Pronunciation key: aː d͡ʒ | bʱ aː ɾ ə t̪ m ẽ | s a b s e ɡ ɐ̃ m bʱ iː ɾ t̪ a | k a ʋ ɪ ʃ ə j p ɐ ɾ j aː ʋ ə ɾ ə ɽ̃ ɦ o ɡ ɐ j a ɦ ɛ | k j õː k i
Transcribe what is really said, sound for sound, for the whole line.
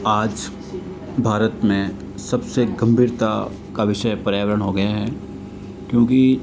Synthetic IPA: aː d͡ʒ | bʱ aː ɾ ə t̪ m ẽ | s ɐ b s e ɡ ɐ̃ m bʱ iː ɾ t̪ a | k a ʋ ɪ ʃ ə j p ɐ ɾ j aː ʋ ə ɾ ə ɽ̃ ɦ o ɡ ɐ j a ɦ ɛ | k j õː k i